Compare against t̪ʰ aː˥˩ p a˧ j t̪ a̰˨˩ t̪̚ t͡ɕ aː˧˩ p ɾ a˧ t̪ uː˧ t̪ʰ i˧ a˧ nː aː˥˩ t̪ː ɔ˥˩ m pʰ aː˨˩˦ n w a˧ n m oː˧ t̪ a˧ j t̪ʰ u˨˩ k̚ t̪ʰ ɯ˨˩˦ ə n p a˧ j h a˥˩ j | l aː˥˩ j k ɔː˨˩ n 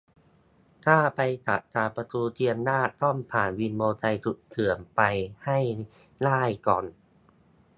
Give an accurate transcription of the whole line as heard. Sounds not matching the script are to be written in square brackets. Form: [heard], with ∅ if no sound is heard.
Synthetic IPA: t̪ʰ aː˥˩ p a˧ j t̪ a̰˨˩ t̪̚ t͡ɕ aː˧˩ p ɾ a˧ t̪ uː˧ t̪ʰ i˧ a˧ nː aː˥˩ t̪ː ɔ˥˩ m pʰ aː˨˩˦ n w [i˧] n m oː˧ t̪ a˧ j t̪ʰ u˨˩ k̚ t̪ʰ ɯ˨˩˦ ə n p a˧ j h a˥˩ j | l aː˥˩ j k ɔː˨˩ n